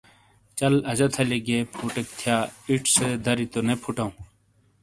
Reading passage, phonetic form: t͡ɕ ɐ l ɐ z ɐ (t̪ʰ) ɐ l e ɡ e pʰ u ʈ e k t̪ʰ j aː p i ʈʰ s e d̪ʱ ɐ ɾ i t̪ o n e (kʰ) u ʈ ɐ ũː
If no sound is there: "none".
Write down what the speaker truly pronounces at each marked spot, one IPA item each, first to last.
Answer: t̪ʰ, pʰ

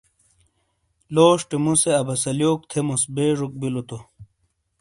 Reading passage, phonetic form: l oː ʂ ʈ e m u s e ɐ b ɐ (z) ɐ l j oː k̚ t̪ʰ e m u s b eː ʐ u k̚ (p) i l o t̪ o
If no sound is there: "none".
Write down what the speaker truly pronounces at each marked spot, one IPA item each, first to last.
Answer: s, b

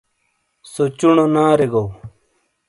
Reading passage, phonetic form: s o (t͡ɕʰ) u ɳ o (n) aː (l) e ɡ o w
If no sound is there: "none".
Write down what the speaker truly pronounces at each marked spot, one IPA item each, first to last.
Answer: t͡ɕ, n, ɾ

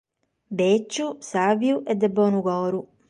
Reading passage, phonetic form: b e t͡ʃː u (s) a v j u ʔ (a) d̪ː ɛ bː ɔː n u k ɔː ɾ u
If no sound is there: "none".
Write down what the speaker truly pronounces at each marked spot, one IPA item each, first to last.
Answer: s, ɛ

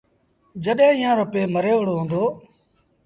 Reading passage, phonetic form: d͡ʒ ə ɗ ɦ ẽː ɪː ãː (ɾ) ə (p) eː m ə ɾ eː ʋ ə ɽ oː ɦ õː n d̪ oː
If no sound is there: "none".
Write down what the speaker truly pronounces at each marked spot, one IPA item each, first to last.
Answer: ɾ, p

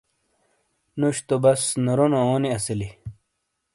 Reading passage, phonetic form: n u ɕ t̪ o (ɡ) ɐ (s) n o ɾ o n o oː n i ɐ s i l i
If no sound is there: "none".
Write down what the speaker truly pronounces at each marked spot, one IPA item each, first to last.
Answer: b, s

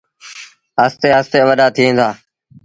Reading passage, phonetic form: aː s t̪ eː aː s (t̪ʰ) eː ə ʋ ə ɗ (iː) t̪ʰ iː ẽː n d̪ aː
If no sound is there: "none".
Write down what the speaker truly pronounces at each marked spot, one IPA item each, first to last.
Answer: t̪, aː

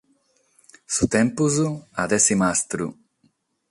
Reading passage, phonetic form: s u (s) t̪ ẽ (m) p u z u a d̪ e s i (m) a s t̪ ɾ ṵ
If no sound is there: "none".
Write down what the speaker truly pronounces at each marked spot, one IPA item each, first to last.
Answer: none, m, m

